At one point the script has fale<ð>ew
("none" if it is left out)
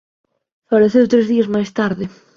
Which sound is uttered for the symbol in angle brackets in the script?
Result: θ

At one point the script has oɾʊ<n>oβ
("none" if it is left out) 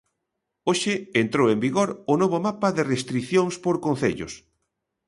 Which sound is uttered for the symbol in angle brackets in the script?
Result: n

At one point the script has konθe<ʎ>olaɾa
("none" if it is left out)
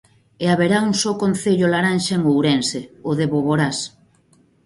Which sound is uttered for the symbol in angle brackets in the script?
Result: ʎ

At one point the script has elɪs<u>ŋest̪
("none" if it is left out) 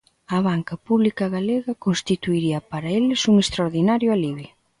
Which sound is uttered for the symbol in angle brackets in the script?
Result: u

